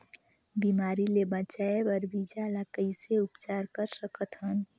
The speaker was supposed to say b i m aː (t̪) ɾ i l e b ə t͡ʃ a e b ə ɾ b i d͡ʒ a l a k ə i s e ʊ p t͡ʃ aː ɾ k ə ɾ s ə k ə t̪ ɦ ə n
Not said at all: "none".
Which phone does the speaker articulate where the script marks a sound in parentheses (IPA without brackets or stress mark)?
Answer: none